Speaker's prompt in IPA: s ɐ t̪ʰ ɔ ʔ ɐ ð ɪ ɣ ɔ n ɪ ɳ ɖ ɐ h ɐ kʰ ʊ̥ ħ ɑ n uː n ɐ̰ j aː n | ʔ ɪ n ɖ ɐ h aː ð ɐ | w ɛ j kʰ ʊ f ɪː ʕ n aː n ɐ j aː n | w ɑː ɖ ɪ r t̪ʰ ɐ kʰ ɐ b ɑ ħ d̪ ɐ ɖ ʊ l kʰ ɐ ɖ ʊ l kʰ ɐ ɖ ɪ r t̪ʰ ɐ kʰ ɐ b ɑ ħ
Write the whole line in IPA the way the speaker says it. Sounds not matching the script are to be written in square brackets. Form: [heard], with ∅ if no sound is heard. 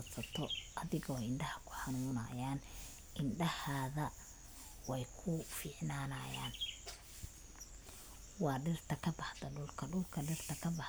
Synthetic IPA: s ɐ t̪ʰ ɔ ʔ ɐ ð ɪ ɣ ɔ [∅] ɪ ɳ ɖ ɐ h ɐ kʰ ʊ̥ ħ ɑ n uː n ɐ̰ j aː n | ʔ ɪ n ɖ ɐ h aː ð ɐ | w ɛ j kʰ ʊ f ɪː ʕ n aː n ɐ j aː n | w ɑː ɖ ɪ r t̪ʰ ɐ kʰ ɐ b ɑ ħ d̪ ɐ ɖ ʊ l kʰ ɐ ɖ ʊ l kʰ ɐ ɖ ɪ r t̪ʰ ɐ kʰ ɐ b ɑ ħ